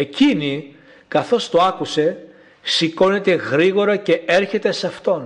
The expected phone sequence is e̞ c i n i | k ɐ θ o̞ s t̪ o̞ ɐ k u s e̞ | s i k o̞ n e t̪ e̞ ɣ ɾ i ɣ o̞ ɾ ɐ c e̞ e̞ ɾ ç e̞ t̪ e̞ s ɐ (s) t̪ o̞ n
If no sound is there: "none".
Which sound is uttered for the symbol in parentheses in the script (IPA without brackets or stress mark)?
f